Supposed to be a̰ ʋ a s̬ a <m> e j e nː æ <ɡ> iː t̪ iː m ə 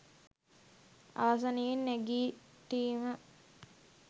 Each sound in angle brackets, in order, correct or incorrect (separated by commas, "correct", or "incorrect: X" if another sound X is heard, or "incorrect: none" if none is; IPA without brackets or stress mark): incorrect: n, correct